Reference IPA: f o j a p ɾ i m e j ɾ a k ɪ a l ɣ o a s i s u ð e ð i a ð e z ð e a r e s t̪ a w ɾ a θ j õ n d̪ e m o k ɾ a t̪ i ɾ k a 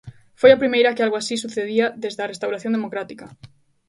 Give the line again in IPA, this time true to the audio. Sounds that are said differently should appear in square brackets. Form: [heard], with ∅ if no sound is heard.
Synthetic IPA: f o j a p ɾ i m e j ɾ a k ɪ a l ɣ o a s i s u [θ] e ð i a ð e z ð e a r e s t̪ a w ɾ a θ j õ n d̪ e m o k ɾ a t̪ i [∅] k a